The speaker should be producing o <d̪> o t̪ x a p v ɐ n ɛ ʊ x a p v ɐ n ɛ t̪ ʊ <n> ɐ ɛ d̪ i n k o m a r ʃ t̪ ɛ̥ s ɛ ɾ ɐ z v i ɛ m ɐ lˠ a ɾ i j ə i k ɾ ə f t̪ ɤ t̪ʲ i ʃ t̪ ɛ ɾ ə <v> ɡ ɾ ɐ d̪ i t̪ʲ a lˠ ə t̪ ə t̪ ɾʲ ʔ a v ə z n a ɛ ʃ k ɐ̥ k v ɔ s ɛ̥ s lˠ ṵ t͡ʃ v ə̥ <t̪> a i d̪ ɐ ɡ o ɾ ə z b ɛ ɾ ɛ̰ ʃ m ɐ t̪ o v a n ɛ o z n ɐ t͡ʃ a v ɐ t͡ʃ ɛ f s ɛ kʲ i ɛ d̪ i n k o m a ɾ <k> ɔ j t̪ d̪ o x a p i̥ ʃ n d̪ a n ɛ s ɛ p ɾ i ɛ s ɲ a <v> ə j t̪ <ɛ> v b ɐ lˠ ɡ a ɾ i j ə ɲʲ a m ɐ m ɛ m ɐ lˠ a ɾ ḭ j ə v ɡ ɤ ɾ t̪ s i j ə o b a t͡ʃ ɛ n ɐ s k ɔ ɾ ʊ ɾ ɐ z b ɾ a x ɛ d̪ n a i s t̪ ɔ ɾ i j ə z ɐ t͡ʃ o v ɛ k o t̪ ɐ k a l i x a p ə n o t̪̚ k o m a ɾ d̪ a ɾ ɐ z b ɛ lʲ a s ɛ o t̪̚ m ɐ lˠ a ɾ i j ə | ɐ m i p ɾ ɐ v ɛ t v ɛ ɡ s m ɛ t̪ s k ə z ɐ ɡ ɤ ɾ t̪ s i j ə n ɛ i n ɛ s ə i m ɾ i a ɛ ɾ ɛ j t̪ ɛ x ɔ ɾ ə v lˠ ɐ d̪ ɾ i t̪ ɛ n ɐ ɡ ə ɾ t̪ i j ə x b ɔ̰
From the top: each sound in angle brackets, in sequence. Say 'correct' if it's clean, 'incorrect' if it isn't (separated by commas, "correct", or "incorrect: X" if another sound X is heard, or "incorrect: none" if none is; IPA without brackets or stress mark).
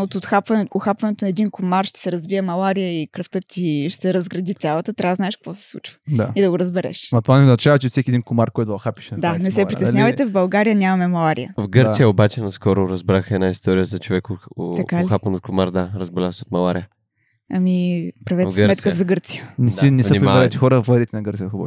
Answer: incorrect: t̪, correct, incorrect: z, incorrect: d̪, correct, correct, correct